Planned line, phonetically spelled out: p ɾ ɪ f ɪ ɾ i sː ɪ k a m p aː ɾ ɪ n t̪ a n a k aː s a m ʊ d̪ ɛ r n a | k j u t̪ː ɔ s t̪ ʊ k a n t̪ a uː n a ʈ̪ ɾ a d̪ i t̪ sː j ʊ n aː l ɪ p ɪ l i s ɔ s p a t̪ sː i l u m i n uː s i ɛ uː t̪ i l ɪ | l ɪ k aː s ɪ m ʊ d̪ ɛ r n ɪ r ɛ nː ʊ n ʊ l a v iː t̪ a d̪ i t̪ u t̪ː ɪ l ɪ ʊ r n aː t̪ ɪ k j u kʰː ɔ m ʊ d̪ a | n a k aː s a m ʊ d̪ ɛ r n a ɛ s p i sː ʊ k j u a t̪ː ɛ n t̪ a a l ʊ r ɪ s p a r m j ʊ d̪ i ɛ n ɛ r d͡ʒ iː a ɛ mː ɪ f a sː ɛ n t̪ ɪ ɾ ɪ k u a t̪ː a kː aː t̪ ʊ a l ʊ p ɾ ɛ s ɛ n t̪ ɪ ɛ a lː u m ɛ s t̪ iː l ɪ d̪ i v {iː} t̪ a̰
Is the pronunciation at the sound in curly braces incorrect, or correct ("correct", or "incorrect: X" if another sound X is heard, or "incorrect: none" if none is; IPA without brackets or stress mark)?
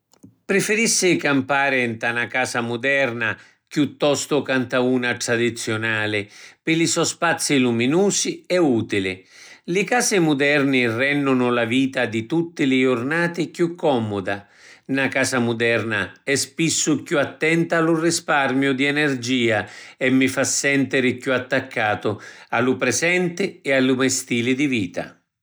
correct